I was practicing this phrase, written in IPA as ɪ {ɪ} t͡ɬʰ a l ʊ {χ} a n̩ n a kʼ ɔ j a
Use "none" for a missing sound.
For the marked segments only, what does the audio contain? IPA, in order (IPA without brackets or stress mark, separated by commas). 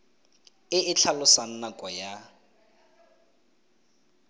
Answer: ɪ, s